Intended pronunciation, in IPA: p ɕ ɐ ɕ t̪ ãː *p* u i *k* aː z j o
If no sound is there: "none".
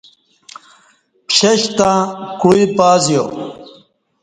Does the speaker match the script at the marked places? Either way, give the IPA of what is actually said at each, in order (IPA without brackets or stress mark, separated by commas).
k, p